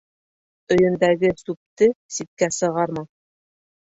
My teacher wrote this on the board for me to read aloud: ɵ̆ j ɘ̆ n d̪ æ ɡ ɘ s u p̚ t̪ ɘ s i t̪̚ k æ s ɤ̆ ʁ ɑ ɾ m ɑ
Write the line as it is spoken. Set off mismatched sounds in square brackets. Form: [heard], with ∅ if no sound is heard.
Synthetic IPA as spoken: ɵ̆ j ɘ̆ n d̪ æ ɡ ɘ s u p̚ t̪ ɘ s i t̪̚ k æ s ɤ̆ ʁ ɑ ɾ m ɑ